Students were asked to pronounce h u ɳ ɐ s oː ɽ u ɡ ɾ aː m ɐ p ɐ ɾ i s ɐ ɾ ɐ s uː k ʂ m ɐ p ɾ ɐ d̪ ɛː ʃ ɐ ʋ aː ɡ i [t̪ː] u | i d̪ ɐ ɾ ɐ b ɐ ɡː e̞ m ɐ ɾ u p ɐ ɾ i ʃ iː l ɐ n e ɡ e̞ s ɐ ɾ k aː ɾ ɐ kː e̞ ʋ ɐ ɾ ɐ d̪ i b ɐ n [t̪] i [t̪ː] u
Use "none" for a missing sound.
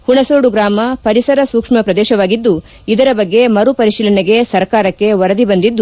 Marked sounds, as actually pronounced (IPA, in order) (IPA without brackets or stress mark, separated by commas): d̪ː, d̪, d̪ː